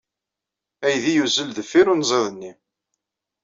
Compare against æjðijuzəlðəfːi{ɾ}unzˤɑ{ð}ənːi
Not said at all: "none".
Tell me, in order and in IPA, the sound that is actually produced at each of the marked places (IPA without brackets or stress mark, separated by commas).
ɾ, ð